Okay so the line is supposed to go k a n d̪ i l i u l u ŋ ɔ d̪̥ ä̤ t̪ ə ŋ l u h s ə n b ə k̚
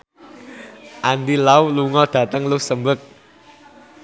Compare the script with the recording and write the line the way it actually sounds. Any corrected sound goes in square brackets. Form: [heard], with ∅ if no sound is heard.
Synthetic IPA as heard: [ʔ] a n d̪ i l [a] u l u ŋ ɔ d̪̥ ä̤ t̪ ə ŋ l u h s ə [m] b ə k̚